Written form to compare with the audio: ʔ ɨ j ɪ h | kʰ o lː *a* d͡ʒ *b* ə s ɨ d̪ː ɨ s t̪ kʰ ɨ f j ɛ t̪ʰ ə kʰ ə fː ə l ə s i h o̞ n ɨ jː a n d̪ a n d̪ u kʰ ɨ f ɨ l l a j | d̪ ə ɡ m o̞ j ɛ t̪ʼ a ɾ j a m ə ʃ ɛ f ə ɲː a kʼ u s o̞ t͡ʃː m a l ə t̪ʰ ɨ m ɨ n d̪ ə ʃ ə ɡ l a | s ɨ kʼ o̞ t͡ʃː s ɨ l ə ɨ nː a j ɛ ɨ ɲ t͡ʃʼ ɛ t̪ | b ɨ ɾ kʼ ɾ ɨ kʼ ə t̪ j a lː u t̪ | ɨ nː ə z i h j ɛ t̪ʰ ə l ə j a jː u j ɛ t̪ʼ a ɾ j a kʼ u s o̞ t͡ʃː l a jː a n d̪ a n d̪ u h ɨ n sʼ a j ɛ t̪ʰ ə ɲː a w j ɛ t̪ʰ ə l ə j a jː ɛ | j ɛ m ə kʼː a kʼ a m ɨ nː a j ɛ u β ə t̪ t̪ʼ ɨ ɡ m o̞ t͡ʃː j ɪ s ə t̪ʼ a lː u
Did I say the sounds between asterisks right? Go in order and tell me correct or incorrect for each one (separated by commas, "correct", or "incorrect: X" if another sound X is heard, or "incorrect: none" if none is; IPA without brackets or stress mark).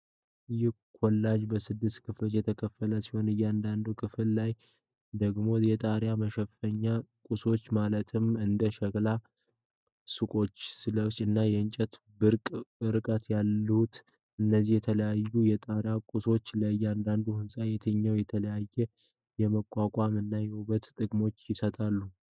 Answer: correct, correct